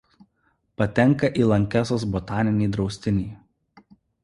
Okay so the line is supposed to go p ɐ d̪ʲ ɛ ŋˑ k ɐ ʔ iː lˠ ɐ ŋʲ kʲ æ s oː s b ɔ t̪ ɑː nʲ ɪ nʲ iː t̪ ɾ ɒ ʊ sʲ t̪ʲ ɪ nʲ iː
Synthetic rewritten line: p ɐ t̪ʲ ɛ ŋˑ k ɐ ʔ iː lˠ ɐ ŋʲ kʲ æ s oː s b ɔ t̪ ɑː nʲ ɪ nʲ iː d̪ ɾ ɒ ʊ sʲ t̪ʲ ɪ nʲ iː